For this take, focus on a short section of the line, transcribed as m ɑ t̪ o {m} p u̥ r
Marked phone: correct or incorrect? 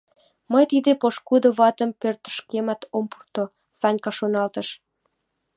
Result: correct